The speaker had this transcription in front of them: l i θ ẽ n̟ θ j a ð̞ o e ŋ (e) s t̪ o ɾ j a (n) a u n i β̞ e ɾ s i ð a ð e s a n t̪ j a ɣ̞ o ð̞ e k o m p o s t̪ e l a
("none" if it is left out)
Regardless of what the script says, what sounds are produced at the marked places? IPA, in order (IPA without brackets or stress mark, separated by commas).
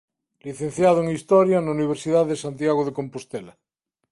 i, n